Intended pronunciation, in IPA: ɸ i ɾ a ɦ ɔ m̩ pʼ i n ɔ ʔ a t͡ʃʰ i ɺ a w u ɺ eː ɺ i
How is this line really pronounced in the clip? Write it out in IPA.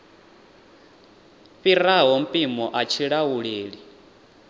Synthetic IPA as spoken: ɸ i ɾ a ɦ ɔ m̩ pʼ i m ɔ ʔ a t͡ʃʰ i ɺ a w u ɺ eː ɺ i